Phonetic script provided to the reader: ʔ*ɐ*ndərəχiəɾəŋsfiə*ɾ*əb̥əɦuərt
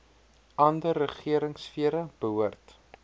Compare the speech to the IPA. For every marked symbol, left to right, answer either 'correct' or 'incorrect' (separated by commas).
correct, correct